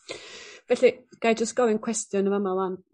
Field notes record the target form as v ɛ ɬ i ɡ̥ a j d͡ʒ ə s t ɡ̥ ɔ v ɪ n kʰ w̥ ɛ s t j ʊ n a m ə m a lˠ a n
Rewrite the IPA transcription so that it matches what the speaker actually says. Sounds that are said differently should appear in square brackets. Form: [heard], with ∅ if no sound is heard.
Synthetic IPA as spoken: v ɛ ɬ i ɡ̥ a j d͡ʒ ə s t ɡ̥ ɔ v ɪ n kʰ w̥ ɛ s t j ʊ n [ə] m ə m a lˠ a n